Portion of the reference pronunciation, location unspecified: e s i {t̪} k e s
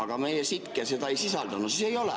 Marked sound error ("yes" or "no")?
no